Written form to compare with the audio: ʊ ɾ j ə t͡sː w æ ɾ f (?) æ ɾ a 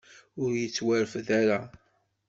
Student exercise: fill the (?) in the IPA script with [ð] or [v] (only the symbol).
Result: ð